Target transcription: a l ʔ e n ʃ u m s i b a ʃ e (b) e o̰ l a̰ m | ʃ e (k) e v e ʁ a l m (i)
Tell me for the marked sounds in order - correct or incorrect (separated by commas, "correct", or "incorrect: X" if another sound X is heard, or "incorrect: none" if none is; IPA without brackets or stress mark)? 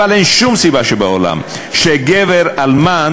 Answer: correct, incorrect: ɡ, incorrect: a